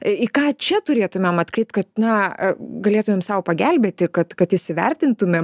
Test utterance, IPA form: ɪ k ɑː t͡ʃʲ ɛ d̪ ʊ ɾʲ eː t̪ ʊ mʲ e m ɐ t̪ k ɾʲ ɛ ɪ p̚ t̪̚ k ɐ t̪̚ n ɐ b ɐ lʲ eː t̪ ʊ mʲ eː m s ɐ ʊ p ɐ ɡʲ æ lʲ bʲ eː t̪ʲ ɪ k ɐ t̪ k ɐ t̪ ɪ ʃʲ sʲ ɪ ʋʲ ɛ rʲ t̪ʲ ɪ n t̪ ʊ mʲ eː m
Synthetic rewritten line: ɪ k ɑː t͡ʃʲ ɛ t̪ ʊ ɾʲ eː t̪ ʊ mʲ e m ɐ t̪ k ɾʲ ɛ ɪ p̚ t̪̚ k ɐ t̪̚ n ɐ ɡ ɐ lʲ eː t̪ ʊ mʲ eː m s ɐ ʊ p ɐ ɡʲ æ lʲ bʲ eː t̪ʲ ɪ k ɐ t̪ k ɐ t̪ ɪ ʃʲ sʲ ɪ ʋʲ ɛ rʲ t̪ʲ ɪ n t̪ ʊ mʲ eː m